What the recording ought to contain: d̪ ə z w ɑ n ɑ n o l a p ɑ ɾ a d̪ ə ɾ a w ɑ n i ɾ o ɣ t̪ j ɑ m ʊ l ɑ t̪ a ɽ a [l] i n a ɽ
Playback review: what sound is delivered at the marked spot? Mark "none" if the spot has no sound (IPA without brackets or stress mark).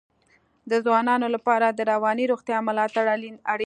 l